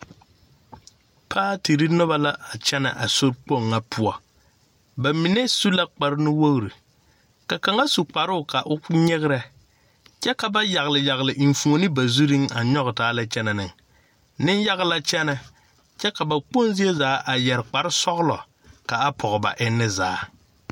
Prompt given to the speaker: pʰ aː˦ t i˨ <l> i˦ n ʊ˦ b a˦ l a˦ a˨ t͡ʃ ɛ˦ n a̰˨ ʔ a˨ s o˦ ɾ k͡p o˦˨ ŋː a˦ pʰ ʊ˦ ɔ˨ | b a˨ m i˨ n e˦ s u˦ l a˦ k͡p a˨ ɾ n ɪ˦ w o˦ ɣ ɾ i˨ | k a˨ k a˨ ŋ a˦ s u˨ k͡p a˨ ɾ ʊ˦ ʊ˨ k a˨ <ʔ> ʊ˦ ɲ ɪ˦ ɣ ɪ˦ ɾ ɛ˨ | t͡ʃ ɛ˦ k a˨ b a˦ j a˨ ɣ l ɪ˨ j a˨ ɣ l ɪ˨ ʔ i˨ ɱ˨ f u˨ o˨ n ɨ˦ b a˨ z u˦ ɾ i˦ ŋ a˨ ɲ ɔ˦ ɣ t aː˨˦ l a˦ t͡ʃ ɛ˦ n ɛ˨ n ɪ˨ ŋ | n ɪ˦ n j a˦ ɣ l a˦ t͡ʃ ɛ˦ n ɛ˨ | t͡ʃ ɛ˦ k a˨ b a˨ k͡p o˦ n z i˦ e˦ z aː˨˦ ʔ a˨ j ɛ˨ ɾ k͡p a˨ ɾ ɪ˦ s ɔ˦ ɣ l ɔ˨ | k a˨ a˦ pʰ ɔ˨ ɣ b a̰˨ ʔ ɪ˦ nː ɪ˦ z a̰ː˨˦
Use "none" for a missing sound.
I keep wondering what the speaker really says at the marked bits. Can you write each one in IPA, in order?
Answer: ɾ, ʔ

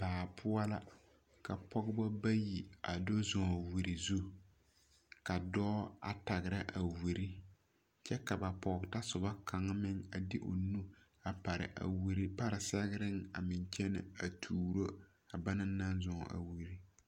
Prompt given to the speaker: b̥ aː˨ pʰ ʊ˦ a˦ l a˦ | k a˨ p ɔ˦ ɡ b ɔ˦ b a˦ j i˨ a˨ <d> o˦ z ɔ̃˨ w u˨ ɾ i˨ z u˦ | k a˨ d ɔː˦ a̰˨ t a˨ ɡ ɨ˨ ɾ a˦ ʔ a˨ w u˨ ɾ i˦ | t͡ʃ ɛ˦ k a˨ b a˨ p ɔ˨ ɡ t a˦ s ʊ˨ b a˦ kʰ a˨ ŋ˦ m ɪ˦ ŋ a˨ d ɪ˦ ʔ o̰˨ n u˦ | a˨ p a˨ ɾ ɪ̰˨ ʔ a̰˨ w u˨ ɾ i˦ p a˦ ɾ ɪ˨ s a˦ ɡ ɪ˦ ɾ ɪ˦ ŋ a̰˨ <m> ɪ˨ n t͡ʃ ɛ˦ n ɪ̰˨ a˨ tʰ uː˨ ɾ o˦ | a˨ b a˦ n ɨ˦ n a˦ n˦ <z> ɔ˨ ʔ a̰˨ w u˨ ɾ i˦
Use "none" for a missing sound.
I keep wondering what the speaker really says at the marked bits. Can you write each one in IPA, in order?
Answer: d, m, z

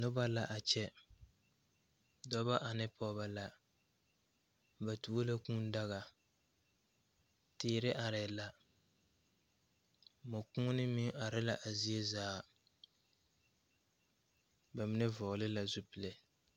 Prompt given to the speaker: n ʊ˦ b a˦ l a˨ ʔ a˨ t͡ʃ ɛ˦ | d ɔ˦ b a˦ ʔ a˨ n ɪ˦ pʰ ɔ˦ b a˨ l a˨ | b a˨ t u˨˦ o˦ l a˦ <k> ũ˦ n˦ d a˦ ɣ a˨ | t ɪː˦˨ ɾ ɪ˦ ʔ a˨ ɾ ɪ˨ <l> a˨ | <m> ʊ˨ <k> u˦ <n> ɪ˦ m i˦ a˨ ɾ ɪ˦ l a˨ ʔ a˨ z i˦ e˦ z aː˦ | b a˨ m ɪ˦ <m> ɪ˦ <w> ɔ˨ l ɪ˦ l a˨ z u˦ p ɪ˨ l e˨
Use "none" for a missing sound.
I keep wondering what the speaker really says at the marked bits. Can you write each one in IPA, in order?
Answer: k, l, m, k, n, n, v

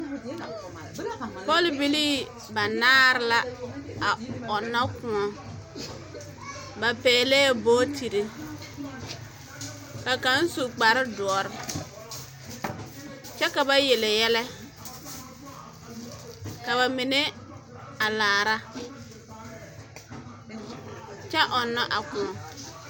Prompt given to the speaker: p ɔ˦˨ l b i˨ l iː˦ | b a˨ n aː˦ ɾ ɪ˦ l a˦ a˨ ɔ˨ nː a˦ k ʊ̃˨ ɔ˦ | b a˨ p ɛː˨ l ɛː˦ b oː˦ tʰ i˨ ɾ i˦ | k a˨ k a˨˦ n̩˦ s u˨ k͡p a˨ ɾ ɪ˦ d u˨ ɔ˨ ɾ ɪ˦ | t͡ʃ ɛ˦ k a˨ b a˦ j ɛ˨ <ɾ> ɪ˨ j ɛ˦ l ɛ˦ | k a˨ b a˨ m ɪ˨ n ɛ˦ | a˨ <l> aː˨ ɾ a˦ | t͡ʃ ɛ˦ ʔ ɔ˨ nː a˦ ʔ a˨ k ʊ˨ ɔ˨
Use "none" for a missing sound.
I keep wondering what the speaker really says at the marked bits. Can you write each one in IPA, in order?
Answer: l, l

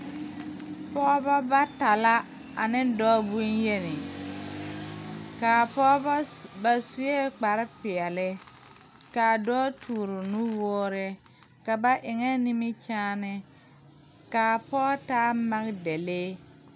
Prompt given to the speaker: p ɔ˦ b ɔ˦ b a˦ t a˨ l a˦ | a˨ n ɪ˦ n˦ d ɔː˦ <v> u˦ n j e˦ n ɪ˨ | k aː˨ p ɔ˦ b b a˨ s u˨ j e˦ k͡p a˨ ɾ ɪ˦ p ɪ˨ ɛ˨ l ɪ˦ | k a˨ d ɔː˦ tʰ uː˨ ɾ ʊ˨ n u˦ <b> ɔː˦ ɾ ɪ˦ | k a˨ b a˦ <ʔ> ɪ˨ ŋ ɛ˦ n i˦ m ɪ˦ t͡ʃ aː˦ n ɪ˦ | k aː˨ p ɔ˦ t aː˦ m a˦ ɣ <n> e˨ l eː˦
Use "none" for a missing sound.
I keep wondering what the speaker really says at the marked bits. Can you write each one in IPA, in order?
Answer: b, w, ʔ, d

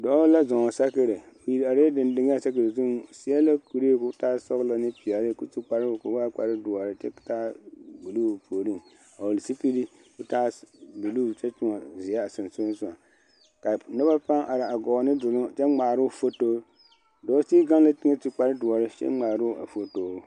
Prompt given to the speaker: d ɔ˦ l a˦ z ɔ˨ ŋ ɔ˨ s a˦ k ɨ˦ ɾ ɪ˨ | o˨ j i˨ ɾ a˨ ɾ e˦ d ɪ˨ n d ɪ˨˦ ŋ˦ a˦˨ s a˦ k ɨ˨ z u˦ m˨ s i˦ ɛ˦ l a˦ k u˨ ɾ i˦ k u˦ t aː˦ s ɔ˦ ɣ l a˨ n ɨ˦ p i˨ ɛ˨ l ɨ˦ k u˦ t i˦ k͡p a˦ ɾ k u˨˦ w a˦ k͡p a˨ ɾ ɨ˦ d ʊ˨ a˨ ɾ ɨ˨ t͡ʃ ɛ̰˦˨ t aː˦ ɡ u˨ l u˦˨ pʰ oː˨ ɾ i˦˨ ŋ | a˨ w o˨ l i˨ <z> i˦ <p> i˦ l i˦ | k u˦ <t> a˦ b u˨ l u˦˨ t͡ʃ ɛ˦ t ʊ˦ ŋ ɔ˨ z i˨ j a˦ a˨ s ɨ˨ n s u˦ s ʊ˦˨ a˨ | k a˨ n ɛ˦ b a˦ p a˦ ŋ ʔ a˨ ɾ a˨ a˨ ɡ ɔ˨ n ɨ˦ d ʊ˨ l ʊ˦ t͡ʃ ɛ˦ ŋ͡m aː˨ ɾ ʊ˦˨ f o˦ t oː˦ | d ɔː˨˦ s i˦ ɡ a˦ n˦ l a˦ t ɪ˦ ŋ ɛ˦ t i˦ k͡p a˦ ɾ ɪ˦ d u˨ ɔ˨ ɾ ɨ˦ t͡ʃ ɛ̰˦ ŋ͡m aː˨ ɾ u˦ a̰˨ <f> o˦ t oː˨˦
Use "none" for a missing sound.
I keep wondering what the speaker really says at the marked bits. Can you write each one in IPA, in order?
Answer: s, p, t, f

